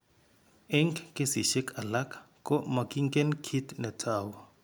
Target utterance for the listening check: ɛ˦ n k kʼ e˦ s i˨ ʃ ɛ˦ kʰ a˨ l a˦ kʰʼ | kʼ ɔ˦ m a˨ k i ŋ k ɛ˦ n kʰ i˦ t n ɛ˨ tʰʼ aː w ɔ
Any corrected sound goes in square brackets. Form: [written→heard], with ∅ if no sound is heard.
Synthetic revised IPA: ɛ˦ [n→ŋ] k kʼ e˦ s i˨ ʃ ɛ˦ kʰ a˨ l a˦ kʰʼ | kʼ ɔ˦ m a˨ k i ŋ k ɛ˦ n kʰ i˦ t n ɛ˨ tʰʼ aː w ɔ